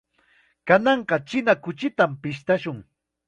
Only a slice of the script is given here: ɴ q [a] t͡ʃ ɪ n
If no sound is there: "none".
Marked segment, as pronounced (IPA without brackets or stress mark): ɑ